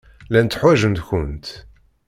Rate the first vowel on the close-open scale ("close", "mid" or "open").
open